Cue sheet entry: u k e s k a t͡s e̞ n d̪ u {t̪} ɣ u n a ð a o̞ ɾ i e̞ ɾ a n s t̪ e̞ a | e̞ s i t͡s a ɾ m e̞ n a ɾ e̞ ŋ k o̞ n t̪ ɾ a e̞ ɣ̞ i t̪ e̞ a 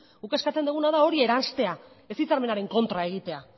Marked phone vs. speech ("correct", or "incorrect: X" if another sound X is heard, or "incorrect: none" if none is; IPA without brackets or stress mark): incorrect: none